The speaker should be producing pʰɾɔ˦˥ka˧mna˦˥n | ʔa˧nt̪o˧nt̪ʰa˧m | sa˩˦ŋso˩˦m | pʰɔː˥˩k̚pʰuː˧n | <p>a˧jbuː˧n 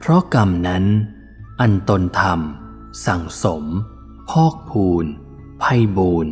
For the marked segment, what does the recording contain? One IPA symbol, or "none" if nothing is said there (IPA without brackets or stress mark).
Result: pʰ